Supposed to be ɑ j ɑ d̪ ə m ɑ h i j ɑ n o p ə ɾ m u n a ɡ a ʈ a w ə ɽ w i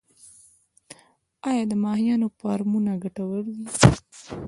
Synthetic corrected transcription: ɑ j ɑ d̪ ə m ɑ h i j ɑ n o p ɑ ɾ m u n a ɡ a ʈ a w ə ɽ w i

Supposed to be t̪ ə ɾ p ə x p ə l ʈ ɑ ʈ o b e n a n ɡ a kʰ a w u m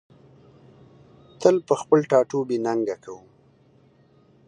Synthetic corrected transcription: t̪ ə l p ə x p ə l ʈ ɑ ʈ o b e n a ŋ ɡ a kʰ a w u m

